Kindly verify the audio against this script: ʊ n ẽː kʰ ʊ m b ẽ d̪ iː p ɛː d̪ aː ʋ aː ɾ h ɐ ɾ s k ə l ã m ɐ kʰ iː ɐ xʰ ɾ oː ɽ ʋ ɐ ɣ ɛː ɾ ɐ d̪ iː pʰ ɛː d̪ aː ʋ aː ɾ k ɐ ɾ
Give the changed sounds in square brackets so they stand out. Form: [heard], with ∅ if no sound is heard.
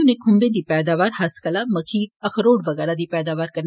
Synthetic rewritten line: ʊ n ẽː kʰ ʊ m b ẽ d̪ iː p ɛː d̪ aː ʋ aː ɾ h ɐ [∅] s k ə l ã m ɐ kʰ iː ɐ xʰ ɾ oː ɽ ʋ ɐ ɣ ɛː ɾ [a] d̪ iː [p] ɛː d̪ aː ʋ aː ɾ k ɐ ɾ